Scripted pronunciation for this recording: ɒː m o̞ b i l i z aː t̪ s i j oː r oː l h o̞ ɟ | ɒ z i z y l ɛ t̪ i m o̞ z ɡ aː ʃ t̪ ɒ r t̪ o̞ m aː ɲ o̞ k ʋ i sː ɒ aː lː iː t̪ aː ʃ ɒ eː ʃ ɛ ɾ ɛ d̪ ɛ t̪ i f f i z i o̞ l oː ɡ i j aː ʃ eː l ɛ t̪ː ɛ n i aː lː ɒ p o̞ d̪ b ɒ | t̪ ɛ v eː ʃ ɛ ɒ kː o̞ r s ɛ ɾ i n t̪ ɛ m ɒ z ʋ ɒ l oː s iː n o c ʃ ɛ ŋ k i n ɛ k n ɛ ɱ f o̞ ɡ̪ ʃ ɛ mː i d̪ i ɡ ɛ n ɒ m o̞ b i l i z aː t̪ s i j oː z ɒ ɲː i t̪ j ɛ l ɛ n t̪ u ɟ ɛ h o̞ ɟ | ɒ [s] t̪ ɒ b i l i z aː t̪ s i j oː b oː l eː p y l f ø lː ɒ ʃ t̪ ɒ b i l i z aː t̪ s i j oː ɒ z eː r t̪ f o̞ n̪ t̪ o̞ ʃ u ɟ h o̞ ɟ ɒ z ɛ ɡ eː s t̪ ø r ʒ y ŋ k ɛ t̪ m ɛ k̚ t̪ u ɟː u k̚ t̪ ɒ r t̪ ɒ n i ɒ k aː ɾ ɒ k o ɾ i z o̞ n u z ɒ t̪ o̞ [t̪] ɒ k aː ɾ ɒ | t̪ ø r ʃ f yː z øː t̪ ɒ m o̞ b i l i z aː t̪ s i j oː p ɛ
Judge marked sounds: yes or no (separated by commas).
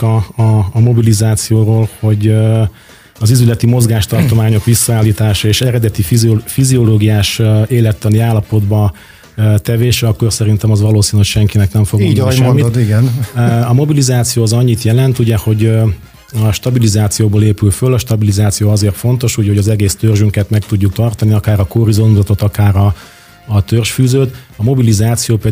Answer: no, yes